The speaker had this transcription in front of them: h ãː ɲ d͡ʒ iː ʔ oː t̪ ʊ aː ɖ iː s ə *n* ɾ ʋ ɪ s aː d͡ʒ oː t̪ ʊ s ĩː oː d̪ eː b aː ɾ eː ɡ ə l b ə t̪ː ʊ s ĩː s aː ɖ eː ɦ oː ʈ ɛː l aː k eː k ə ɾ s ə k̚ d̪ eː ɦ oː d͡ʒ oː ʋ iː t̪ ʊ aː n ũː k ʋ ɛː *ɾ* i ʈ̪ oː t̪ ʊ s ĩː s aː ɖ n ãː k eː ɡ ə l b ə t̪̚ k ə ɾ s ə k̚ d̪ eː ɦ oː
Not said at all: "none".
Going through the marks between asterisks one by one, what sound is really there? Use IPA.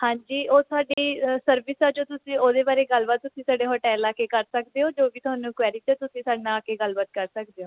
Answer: none, ɾ

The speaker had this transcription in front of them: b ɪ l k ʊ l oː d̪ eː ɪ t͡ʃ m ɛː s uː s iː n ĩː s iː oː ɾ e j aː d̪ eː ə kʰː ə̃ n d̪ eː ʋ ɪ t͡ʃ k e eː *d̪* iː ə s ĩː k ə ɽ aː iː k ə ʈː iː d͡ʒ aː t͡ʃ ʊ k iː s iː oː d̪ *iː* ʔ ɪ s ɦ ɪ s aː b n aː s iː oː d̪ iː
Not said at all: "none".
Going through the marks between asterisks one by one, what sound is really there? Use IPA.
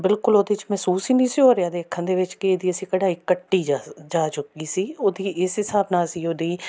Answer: d̪, iː

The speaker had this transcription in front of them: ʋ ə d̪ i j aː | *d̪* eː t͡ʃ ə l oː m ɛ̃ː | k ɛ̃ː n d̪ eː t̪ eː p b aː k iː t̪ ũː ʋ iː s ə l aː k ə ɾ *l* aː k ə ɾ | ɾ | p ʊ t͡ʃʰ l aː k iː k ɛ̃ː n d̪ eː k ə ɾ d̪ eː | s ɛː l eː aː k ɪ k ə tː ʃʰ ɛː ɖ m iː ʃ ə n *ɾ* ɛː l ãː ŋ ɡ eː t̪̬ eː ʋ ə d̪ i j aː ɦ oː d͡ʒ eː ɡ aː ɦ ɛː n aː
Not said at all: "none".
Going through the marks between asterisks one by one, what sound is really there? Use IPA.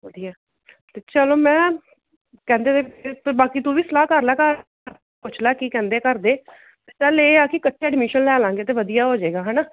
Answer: t̪, l, l

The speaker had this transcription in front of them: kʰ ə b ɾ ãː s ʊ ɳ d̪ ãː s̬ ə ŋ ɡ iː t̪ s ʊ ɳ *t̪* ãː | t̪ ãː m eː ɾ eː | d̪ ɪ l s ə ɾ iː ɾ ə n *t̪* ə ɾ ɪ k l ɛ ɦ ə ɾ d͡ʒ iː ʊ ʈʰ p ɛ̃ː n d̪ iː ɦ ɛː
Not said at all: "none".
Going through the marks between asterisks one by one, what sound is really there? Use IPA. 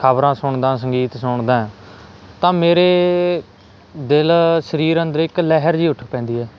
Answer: d̪, d̪

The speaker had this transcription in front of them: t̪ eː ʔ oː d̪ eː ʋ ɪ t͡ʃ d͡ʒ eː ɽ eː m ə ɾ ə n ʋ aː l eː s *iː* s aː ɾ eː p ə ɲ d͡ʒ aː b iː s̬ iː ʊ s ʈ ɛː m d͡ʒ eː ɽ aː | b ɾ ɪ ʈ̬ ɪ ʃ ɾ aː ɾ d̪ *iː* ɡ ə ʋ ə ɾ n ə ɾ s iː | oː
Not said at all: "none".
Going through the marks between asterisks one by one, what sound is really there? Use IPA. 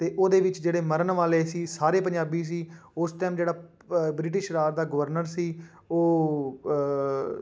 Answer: iː, aː

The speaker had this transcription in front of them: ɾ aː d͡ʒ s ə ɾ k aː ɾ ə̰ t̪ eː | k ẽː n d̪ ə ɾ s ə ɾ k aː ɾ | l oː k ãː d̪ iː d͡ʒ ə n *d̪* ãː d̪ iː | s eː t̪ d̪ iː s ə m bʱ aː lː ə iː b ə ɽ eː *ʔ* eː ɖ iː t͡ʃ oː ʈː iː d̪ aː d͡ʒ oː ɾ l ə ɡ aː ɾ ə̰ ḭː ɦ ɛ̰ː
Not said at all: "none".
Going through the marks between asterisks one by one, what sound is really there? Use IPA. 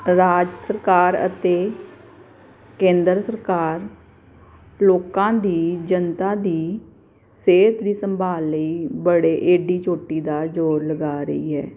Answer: t̪, ʔ

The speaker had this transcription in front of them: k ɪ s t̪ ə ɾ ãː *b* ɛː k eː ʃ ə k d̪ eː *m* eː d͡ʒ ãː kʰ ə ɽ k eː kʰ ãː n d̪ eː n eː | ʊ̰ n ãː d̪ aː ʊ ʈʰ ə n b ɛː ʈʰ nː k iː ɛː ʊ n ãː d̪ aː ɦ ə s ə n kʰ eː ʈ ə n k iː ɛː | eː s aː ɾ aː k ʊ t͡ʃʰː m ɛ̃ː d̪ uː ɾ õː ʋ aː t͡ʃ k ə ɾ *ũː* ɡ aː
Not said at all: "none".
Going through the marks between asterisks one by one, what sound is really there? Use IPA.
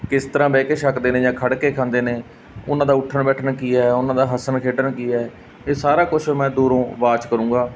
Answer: b, n, ũː

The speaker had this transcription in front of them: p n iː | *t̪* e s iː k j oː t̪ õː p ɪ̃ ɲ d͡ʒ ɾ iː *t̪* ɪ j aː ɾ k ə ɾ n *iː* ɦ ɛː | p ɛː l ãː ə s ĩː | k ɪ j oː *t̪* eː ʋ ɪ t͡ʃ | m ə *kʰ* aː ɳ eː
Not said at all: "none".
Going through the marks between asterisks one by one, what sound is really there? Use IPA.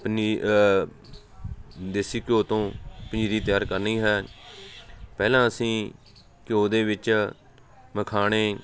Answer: d̪, t̪, iː, d̪, kʰ

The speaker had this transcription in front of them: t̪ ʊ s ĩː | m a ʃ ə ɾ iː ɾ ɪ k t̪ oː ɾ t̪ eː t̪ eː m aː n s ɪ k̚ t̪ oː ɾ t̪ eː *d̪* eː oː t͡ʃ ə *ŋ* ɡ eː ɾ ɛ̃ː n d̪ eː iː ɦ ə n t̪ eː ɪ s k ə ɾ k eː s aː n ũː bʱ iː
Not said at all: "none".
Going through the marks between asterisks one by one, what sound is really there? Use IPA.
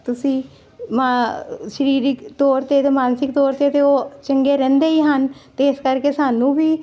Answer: t̪, ŋ

